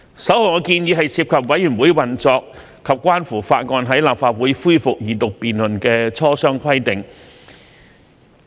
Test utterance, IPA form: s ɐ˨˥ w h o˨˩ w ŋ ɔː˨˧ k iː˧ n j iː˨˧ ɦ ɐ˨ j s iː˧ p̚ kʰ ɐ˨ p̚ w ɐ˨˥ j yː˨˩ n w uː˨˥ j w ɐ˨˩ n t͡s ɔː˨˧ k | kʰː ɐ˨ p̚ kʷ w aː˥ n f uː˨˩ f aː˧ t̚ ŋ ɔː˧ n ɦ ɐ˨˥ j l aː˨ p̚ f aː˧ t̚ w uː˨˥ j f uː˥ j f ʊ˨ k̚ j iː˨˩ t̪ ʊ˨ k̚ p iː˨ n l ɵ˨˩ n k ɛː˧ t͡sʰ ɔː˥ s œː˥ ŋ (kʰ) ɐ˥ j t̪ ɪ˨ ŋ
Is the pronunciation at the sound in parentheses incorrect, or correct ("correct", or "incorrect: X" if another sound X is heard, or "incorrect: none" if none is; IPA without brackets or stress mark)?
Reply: correct